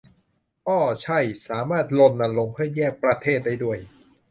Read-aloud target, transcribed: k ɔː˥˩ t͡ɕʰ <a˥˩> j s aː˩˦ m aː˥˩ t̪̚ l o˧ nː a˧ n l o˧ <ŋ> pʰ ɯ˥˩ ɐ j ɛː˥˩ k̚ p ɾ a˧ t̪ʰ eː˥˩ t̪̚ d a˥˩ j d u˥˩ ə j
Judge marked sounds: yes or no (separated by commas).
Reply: yes, yes